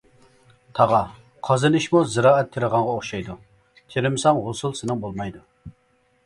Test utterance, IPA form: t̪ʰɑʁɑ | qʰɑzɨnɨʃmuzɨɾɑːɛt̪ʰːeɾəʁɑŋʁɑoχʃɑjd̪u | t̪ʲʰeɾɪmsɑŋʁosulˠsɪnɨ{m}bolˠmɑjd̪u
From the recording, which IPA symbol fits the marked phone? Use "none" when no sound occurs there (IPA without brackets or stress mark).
ŋ